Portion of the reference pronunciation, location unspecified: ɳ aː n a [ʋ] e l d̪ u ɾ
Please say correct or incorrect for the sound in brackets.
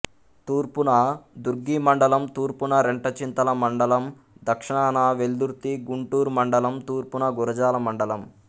correct